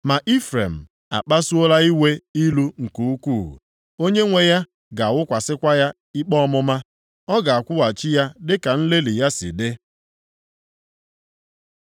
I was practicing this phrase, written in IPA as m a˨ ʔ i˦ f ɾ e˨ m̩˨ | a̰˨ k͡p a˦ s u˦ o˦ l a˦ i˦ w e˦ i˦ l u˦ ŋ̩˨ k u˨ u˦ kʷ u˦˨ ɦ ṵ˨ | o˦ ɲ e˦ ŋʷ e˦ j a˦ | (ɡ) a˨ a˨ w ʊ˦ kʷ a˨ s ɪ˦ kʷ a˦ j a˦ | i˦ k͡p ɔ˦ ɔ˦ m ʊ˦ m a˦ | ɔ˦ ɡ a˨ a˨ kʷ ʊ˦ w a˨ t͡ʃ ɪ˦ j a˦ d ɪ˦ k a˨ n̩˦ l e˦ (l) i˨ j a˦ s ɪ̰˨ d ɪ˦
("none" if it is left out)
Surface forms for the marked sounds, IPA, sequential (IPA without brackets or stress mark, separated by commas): ɡ, l